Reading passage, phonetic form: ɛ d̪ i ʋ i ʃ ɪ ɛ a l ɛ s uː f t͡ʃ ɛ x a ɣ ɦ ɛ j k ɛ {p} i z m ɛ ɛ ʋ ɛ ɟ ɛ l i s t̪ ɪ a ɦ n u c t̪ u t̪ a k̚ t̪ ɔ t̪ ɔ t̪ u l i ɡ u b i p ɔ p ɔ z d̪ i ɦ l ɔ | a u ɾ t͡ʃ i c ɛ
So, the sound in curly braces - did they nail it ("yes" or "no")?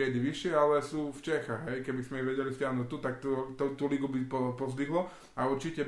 no